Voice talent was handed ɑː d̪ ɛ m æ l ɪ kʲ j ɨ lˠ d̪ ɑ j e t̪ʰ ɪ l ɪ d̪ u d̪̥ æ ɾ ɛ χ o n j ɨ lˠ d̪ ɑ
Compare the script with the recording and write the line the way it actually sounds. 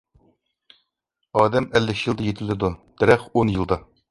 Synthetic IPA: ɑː d̪ ɛ m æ lː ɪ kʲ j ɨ lˠ d̪ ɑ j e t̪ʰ ɪ l ɪ d̪ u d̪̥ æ ɾ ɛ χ o n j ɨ lˠ d̪ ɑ